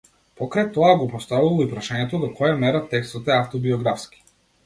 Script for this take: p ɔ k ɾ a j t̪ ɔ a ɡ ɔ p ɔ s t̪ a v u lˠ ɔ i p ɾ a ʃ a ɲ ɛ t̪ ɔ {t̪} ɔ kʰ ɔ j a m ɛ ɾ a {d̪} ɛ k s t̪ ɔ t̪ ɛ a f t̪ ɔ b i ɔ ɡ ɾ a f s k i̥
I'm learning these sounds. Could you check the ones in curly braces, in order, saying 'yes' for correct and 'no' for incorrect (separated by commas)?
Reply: no, no